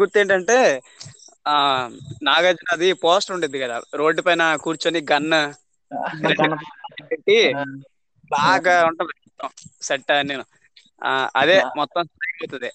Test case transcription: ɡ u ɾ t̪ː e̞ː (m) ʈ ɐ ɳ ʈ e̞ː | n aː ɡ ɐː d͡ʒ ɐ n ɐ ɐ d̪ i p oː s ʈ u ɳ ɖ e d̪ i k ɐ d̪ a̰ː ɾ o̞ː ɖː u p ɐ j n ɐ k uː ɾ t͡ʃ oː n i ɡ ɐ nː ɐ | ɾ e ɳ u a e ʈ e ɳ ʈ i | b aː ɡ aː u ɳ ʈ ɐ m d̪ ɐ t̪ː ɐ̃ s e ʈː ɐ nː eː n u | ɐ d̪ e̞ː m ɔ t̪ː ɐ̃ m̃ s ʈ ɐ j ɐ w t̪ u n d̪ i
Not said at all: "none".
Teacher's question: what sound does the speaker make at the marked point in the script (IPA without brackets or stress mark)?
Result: ɳ